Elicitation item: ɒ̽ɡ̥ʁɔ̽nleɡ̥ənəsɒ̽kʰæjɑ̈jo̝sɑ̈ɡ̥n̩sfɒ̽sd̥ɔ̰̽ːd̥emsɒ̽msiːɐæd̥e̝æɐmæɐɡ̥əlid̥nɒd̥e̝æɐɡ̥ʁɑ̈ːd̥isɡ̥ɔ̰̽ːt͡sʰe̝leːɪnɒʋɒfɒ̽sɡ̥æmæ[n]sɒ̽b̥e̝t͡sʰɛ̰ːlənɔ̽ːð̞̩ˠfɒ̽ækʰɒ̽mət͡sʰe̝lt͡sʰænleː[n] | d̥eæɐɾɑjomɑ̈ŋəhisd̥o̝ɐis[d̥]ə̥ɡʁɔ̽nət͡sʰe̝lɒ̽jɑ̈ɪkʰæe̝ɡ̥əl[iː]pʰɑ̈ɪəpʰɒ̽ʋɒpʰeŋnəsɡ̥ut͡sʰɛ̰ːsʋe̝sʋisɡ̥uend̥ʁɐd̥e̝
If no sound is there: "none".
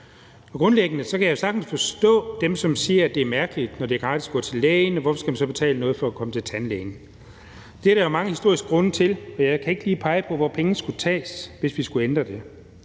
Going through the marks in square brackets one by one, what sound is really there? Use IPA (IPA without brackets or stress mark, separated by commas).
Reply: n, n, ɡ̥, iː